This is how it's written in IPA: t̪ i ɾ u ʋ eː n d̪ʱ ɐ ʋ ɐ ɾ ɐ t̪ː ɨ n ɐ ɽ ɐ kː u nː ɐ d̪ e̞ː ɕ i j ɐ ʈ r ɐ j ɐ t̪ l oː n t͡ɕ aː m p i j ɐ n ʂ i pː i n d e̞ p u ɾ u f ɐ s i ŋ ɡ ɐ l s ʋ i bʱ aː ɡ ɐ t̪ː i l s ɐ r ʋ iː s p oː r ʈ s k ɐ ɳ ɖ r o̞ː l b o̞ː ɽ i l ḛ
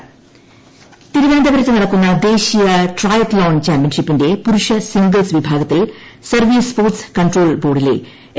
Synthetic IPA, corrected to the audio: t̪ i ɾ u ʋ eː n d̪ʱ ɐ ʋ ɐ ɾ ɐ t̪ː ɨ n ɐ ɽ ɐ kː u nː ɐ d̪ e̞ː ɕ i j ɐ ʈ r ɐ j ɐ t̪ l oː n t͡ɕ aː m p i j ɐ n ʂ i pː i n d e̞ p u ɾ u ʂ ɐ s i ŋ ɡ ɐ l s ʋ i bʱ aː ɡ ɐ t̪ː i l s ɐ r ʋ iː s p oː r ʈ s k ɐ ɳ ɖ r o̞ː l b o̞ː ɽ i l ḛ

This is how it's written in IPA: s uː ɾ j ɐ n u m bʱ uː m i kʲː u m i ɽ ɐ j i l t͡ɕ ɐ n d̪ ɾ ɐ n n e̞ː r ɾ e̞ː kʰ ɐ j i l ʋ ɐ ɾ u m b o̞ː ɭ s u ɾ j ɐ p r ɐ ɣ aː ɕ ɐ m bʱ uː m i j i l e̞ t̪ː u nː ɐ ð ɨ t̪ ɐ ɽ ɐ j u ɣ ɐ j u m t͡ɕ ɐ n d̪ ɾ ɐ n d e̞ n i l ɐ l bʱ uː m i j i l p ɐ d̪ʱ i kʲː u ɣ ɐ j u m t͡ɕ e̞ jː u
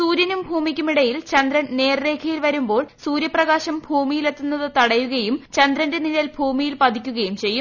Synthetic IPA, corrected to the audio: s uː ɾ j ɐ n u m bʱ uː m i kʲː u m i ɽ ɐ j i l t͡ɕ ɐ n d̪ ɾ ɐ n n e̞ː r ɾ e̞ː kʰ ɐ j i l ʋ ɐ ɾ u m b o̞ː ɭ s uː ɾ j ɐ p r ɐ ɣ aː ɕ ɐ m bʱ uː m i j i l e̞ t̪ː u nː ɐ ð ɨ t̪ ɐ ɽ ɐ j u ɣ ɐ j u m t͡ɕ ɐ n d̪ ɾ ɐ n d e̞ n i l ɐ l bʱ uː m i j i l p ɐ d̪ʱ i kʲː u ɣ ɐ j u m t͡ɕ e̞ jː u

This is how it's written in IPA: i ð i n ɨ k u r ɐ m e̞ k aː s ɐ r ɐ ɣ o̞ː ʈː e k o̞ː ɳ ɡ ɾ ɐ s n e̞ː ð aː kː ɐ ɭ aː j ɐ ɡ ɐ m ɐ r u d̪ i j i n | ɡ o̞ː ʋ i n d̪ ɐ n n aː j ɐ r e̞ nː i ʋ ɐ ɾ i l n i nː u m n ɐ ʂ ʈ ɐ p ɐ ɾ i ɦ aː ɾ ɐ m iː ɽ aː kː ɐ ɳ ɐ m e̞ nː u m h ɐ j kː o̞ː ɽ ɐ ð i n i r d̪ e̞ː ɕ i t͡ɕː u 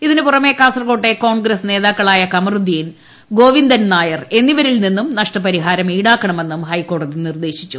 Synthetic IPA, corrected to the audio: i ð i n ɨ p u r ɐ m e̞ k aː s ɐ r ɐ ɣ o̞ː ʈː e k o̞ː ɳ ɡ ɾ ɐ s n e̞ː ð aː kː ɐ ɭ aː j ɐ k ɐ m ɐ r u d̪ i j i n | ɡ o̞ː ʋ i n d̪ ɐ n n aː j ɐ r e̞ nː i ʋ ɐ ɾ i l n i nː u m n ɐ ʂ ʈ ɐ p ɐ ɾ i ɦ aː ɾ ɐ m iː ɽ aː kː ɐ ɳ ɐ m e̞ nː u m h ɐ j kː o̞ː ɽ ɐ ð i n i r d̪ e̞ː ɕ i t͡ɕː u

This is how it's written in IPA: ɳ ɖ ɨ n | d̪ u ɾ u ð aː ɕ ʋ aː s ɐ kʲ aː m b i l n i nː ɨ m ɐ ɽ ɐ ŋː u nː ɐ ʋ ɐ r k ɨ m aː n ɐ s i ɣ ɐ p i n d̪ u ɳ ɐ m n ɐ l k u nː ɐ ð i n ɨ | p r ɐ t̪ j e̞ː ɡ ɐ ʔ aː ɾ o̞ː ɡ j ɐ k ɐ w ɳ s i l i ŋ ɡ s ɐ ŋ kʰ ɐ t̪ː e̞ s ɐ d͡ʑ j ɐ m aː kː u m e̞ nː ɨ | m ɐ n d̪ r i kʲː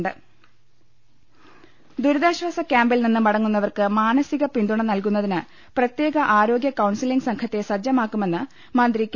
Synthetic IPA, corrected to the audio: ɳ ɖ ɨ | d̪ u ɾ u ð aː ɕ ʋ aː s ɐ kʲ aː m b i l n i nː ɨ m ɐ ɽ ɐ ŋː u nː ɐ ʋ ɐ r k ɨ m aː n ɐ s i ɣ ɐ p i n d̪ u ɳ ɐ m n ɐ l k u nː ɐ ð i n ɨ | p r ɐ t̪ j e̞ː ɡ ɐ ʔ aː ɾ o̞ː ɡ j ɐ k ɐ w ɳ s i l i ŋ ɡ s ɐ ŋ kʰ ɐ t̪ː e̞ s ɐ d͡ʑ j ɐ m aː kː u m e̞ nː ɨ | m ɐ n d̪ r i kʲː

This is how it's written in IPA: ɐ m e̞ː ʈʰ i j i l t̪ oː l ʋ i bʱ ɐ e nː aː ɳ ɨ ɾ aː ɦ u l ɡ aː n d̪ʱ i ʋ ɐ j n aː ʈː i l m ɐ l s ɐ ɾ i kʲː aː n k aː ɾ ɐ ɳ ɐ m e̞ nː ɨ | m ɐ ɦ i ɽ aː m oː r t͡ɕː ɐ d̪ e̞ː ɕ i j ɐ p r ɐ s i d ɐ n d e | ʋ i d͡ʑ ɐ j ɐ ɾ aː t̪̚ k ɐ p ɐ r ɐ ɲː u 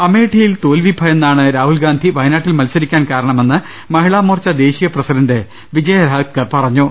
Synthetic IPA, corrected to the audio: ɐ m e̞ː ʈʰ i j i l t̪ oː l ʋ i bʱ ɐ e nː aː ɳ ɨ ɾ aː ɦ u l ɡ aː n d̪ʱ i ʋ ɐ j n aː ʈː i l m ɐ l s ɐ ɾ i kʲː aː n k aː ɾ ɐ ɳ ɐ m e̞ nː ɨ | m ɐ ɦ i ɭ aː m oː r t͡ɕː ɐ d̪ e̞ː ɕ i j ɐ p r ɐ s i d ɐ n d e | ʋ i d͡ʑ ɐ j ɐ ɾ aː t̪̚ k ɐ p ɐ r ɐ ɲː u

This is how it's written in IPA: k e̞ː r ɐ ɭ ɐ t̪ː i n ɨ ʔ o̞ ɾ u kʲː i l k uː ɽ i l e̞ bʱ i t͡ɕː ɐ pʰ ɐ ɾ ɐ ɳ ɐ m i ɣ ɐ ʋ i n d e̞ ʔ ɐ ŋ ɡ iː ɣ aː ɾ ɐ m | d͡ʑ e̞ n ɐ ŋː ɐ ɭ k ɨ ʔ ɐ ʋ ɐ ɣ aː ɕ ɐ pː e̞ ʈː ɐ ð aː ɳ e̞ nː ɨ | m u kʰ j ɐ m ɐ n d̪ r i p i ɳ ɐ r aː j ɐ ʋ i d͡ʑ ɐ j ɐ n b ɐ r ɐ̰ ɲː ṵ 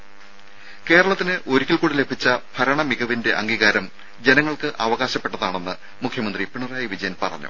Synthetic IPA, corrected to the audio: k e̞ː ɾ ɐ ɭ ɐ t̪ː i n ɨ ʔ o̞ ɾ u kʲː i l k uː ɽ i l e̞ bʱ i t͡ɕː ɐ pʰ ɐ ɾ ɐ ɳ ɐ m i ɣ ɐ ʋ i n d e̞ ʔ ɐ ŋ ɡ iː ɣ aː ɾ ɐ m | d͡ʑ e̞ n ɐ ŋː ɐ ɭ k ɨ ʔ ɐ ʋ ɐ ɣ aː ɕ ɐ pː e̞ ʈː ɐ ð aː ɳ e̞ nː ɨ | m u kʰ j ɐ m ɐ n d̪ r i p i ɳ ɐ r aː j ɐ ʋ i d͡ʑ ɐ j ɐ n p ɐ r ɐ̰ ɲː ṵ

